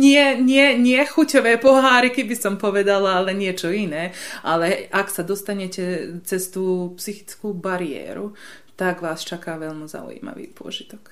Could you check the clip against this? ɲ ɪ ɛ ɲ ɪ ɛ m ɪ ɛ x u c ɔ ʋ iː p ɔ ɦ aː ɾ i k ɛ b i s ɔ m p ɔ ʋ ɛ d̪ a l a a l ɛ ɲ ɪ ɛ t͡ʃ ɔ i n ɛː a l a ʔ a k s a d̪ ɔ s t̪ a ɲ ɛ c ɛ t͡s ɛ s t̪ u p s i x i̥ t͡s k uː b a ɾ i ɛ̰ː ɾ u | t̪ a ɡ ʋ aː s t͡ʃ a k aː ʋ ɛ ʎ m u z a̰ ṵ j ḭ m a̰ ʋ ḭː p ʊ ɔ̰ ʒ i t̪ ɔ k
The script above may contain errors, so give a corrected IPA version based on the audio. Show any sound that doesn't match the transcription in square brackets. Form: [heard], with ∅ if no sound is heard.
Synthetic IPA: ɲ ɪ ɛ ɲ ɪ ɛ [ɲ] ɪ ɛ x u c ɔ ʋ [ɛː] p ɔ ɦ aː ɾ i k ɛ b i s ɔ m p ɔ ʋ ɛ d̪ a l a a l ɛ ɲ ɪ ɛ t͡ʃ ɔ i n ɛː a l [ɛ] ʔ a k s a d̪ ɔ s t̪ a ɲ ɛ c ɛ t͡s ɛ s t̪ [uː] p s i x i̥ t͡s k uː b a ɾ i ɛ̰ː ɾ u | t̪ a ɡ ʋ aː s t͡ʃ a k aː ʋ ɛ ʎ m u z a̰ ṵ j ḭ m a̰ ʋ ḭː p ʊ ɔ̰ ʒ i t̪ ɔ k